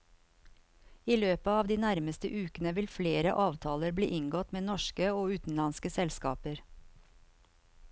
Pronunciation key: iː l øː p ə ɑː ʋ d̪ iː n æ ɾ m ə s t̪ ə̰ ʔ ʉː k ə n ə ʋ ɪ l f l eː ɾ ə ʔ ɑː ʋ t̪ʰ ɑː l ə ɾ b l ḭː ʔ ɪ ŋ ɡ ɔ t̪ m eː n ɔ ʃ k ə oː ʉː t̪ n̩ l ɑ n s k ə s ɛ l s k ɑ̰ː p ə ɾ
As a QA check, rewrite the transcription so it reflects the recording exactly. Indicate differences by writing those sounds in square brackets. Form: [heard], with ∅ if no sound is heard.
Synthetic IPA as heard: iː l øː p ə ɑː ʋ d̪ iː n æ ɾ m ə s t̪ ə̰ ʔ ʉː k ə n ə ʋ ɪ l f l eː ɾ ə ʔ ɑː ʋ t̪ʰ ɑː l ə ɾ b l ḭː ʔ ɪ ŋ ɡ ɔ t̪ m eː n ɔ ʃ k ə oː ʉː t̪ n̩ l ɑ n s k ə s ɛ l s k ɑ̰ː p ə ɾ